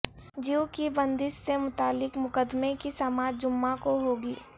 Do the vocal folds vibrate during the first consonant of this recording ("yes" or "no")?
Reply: yes